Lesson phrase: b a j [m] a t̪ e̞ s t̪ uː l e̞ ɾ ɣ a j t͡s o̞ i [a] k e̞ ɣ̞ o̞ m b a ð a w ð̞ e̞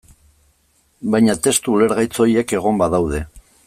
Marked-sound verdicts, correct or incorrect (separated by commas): incorrect, incorrect